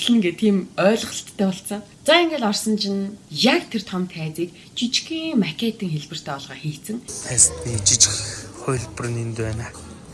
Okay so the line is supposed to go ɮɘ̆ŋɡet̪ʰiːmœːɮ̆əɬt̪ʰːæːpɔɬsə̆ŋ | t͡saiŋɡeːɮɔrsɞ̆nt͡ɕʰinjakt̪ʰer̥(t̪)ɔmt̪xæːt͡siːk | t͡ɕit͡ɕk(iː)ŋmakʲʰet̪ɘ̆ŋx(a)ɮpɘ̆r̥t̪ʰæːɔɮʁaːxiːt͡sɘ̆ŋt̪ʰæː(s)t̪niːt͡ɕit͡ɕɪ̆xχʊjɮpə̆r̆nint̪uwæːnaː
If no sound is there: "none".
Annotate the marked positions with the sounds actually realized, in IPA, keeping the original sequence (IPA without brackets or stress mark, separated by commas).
t̪ʰ, iː, e, s